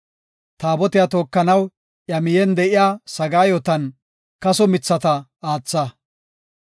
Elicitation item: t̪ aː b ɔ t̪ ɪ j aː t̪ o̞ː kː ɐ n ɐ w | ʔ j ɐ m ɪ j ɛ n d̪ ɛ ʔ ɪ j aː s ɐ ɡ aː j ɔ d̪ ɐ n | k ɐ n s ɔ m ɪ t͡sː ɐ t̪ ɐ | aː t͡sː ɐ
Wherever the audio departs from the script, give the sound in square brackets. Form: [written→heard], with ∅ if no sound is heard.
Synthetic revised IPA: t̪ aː b ɔ t̪ ɪ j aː t̪ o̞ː kː ɐ n ɐ w | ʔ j ɐ m ɪ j ɛ n d̪ ɛ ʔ ɪ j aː s ɐ ɡ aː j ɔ [d̪→t̪] ɐ n | k ɐ [n→∅] s ɔ m ɪ t͡sː ɐ t̪ ɐ | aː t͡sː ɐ